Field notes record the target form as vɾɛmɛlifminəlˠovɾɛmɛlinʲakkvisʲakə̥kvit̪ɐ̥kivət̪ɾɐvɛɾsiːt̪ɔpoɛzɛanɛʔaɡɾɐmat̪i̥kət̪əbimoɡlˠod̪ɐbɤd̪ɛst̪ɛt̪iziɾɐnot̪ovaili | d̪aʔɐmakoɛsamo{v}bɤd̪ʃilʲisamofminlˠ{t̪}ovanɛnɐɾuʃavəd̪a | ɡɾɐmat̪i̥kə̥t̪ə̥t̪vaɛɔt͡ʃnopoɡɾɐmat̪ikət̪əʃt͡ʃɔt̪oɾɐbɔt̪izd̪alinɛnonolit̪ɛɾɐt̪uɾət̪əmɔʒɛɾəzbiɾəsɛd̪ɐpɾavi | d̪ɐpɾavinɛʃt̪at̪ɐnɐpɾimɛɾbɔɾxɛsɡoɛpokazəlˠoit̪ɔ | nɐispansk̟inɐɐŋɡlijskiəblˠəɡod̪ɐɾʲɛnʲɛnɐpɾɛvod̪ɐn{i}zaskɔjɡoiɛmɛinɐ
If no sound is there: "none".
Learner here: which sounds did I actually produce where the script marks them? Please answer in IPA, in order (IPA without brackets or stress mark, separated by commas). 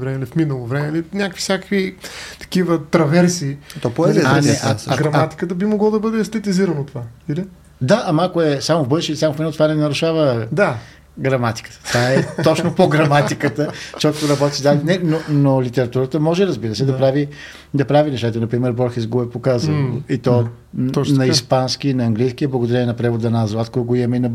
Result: v, t̪, a